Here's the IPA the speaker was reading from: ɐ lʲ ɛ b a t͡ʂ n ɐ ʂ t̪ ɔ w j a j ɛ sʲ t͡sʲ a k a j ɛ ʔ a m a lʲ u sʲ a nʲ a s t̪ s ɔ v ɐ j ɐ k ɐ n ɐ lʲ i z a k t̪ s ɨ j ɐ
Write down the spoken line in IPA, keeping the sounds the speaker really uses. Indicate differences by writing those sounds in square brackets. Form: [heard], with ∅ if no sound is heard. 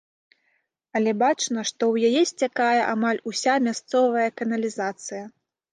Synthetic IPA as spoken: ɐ lʲ ɛ b a t͡ʂ n ɐ ʂ t̪ ɔ w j a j ɛ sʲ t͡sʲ a k a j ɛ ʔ a m a lʲ u sʲ a [mʲ] a s t̪ s ɔ v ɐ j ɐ k ɐ n ɐ lʲ i z a [∅] t̪ s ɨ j ɐ